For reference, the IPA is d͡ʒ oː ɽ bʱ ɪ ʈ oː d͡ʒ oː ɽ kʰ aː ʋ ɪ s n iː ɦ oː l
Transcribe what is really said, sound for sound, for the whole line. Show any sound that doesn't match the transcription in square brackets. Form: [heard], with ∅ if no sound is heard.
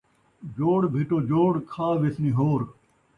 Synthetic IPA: d͡ʒ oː ɽ bʱ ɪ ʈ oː d͡ʒ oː ɽ kʰ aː ʋ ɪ s n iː ɦ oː [ɾ]